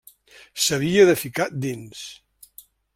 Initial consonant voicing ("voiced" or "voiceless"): voiceless